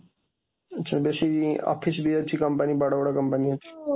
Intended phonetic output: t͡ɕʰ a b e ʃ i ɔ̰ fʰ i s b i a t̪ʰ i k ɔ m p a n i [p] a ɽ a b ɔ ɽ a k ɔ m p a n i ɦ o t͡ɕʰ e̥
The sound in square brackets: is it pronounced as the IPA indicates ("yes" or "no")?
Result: no